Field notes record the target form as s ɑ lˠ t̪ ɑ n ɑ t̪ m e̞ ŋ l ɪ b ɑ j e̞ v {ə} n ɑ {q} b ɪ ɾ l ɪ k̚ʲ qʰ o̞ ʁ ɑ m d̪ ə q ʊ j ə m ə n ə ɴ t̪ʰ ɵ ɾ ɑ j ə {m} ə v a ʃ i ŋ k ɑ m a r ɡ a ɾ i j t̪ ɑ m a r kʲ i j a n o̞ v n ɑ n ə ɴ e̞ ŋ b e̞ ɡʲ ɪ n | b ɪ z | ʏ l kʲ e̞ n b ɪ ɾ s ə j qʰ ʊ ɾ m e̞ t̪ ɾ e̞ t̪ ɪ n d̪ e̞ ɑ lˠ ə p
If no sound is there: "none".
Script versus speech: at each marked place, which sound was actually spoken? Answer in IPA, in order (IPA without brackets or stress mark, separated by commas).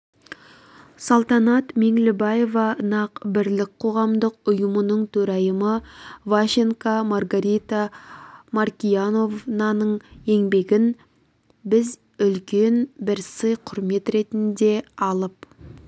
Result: ɑ, q, m